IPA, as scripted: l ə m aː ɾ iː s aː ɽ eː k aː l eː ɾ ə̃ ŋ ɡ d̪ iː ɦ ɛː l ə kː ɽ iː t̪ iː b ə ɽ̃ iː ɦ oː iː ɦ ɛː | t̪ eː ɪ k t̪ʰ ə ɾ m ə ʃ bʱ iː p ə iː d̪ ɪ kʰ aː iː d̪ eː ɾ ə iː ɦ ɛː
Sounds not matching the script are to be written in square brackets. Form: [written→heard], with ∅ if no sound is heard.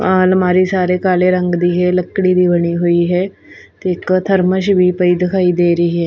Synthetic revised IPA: l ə m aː ɾ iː s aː [ɽ→ɾ] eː k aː l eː ɾ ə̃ ŋ ɡ d̪ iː ɦ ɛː l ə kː ɽ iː [t̪→d̪] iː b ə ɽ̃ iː ɦ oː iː ɦ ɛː | t̪ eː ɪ k t̪ʰ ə ɾ m ə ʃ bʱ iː p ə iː d̪ ɪ kʰ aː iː d̪ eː ɾ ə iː ɦ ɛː